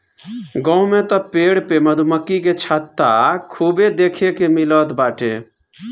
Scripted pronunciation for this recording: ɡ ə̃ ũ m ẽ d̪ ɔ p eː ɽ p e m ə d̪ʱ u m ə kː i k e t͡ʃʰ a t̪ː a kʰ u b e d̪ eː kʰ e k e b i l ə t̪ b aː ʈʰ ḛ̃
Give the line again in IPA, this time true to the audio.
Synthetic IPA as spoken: ɡ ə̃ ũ m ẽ t̪ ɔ p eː ɽ p e m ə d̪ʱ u m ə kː i k e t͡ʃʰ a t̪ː a kʰ u b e d̪ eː kʰ e k e m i l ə t̪ b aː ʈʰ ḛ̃